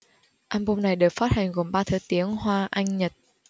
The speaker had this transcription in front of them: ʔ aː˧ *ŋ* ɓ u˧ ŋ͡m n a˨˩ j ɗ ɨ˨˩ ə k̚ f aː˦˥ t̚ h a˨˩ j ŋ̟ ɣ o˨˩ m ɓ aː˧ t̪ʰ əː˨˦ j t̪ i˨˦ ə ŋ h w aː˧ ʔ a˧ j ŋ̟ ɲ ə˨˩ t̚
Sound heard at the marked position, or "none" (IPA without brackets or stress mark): m